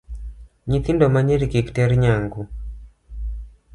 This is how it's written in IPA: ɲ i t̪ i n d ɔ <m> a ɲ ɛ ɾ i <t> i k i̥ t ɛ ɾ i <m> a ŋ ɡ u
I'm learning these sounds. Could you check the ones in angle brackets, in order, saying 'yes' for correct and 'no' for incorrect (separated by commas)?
yes, no, no